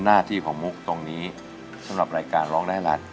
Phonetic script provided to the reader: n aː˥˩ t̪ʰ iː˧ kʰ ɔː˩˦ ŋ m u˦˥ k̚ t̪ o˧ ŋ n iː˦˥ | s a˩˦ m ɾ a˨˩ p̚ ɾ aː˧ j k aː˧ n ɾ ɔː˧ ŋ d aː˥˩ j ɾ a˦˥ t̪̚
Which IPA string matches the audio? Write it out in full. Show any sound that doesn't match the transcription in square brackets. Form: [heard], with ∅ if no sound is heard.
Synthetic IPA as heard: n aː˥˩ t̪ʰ [iː˥˩] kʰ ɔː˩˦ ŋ m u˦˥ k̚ t̪ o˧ ŋ n iː˦˥ | s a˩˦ m ɾ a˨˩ p̚ ɾ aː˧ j k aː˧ n ɾ [ɔː˦˥] ŋ d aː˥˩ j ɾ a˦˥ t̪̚

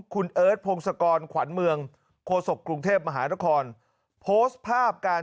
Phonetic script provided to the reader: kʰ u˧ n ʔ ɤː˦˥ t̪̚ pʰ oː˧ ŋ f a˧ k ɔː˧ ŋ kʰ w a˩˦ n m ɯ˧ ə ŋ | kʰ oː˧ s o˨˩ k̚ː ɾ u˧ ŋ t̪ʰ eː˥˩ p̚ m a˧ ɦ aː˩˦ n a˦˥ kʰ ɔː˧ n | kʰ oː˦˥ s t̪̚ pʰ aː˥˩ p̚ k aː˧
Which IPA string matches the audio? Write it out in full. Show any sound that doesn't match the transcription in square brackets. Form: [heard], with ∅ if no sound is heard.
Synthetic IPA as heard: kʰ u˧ n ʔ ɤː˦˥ t̪̚ pʰ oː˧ ŋ [s] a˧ k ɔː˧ [n] kʰ w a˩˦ n m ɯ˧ ə ŋ | kʰ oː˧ s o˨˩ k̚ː ɾ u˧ ŋ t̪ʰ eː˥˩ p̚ m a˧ ɦ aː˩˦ n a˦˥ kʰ ɔː˧ n | [pʰ] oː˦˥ s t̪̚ pʰ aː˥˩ p̚ k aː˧

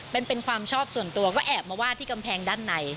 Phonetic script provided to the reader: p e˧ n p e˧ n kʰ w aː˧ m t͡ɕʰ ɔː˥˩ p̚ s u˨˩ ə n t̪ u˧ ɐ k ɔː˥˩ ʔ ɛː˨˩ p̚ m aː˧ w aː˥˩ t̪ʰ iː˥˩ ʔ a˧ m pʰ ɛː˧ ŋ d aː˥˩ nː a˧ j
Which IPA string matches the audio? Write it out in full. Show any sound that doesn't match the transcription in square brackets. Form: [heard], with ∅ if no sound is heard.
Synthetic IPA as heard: p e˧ n p e˧ n kʰ w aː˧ m t͡ɕʰ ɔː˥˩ p̚ s u˨˩ ə n t̪ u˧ ɐ k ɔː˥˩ ʔ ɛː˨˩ p̚ m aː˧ w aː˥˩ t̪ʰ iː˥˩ [k] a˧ m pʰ ɛː˧ ŋ d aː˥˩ nː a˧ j

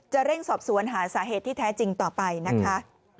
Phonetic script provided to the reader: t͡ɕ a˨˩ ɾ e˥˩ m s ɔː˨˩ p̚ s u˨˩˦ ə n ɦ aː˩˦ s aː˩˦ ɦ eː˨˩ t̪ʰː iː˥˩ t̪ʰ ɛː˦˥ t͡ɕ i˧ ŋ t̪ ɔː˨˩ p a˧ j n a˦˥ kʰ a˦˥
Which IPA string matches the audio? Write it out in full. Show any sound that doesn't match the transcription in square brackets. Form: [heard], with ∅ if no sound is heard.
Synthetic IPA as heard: t͡ɕ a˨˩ ɾ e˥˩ [ŋ] s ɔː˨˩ p̚ s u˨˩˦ ə n ɦ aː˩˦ s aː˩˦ ɦ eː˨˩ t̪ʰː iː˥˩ t̪ʰ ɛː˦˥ t͡ɕ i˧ ŋ t̪ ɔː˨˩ p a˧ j n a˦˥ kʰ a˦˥

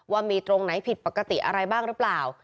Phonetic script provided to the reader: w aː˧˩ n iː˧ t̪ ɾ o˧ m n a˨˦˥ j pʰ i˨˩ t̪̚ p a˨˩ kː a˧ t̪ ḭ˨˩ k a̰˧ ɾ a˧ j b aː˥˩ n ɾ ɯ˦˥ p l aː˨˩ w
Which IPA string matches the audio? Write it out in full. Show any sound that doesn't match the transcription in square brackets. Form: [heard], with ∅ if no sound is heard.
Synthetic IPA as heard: w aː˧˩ [m] iː˧ t̪ ɾ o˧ [ŋ] n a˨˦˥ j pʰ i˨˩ t̪̚ p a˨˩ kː a˧ t̪ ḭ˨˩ [ʔ] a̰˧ ɾ a˧ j b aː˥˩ [ŋ] ɾ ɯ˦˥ p l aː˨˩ w

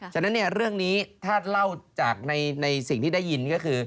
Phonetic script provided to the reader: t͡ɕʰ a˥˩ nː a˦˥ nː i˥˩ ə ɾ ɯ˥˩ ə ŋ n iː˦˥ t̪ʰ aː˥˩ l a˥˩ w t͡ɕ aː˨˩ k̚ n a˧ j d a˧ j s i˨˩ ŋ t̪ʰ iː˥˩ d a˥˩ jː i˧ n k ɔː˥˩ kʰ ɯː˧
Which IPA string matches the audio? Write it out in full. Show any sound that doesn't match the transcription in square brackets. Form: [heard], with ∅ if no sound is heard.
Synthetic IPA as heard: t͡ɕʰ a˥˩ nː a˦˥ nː i˥˩ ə ɾ ɯ˥˩ ə ŋ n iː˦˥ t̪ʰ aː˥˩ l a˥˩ w t͡ɕ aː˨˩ k̚ n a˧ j [n] a˧ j s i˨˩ ŋ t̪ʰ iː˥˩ d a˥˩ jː i˧ n k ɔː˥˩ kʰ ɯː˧

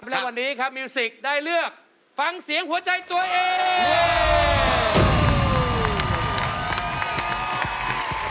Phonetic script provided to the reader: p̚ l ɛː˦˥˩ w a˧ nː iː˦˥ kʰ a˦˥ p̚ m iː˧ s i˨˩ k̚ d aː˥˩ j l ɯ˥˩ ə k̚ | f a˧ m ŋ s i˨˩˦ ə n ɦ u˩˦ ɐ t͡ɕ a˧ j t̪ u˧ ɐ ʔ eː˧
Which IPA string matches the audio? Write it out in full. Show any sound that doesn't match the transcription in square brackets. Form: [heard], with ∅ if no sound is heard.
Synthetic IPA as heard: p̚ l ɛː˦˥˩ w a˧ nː iː˦˥ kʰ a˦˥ p̚ m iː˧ s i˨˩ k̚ d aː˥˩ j l ɯ˥˩ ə k̚ | f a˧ [∅] ŋ s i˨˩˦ ə [ŋ] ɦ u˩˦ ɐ t͡ɕ a˧ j t̪ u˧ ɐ ʔ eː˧

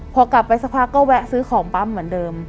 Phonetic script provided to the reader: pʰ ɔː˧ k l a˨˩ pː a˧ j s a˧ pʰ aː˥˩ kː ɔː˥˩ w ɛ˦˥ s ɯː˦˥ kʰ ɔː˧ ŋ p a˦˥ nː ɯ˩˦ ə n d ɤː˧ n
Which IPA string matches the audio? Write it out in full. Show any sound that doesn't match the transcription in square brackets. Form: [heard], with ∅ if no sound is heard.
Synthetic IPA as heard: pʰ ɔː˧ k l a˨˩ pː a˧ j s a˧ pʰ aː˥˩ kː ɔː˥˩ w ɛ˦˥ s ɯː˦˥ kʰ [ɔː˩˦] ŋ p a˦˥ [mː] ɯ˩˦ ə n d ɤː˧ [m]

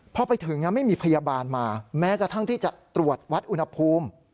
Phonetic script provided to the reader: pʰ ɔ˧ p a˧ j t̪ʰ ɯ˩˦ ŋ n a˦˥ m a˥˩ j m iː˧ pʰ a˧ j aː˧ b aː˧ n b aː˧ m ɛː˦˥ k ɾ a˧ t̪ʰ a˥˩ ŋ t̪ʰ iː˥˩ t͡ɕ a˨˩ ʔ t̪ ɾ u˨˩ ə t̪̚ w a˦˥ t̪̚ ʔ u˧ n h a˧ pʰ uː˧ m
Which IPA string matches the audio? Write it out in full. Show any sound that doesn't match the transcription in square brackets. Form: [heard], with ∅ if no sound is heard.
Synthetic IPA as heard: pʰ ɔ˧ p a˧ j t̪ʰ ɯ˩˦ ŋ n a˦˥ m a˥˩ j m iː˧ pʰ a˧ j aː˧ b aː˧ n [m] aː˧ m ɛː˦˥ k ɾ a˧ t̪ʰ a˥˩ ŋ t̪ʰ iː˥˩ t͡ɕ a˨˩ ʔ t̪ ɾ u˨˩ ə t̪̚ w a˦˥ t̪̚ ʔ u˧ n h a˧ pʰ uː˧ m

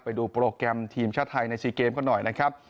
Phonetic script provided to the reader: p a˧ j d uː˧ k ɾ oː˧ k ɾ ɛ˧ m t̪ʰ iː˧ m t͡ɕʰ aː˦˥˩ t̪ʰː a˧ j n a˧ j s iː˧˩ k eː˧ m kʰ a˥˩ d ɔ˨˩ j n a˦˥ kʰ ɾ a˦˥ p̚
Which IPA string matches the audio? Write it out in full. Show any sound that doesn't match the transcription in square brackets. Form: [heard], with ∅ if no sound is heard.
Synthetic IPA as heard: p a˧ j d uː˧ [p] ɾ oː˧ k ɾ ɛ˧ m t̪ʰ iː˧ m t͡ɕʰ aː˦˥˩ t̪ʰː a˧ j n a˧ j s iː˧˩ k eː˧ m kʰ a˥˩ [n] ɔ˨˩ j n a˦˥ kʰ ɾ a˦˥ p̚

